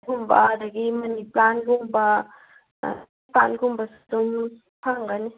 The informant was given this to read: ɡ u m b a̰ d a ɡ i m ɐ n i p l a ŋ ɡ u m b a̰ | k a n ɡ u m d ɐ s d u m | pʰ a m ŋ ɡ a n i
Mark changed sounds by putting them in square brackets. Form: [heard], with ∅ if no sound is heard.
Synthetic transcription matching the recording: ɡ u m b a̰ d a ɡ i m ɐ n i p l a [n] ɡ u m b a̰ | [p] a n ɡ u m [b] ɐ s d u m | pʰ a [∅] ŋ ɡ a n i